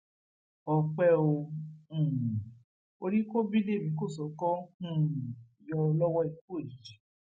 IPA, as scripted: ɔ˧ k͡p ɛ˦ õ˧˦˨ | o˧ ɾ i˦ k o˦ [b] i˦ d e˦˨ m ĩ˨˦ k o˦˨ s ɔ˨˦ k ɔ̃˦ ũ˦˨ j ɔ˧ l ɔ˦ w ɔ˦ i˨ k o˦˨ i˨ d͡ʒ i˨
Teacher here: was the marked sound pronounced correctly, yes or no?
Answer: yes